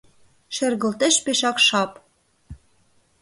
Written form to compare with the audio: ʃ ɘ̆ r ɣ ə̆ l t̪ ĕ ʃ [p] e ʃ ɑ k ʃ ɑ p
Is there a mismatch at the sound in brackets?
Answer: no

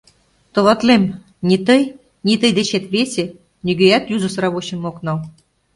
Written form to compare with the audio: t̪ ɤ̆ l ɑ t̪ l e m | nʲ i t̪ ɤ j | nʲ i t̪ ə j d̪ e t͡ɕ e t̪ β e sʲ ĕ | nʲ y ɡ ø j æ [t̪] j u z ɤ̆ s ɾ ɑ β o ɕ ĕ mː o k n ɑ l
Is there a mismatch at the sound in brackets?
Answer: no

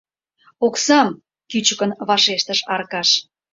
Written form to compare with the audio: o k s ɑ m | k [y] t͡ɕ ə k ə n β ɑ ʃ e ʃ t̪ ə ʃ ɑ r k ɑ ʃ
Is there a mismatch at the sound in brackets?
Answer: no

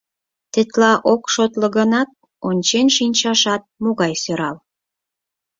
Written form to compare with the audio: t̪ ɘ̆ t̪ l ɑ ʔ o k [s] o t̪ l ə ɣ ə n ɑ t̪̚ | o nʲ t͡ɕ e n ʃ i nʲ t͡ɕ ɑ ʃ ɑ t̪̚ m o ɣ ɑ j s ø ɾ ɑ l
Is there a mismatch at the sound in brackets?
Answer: yes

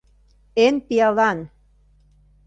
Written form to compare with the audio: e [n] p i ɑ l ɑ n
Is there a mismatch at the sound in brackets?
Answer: no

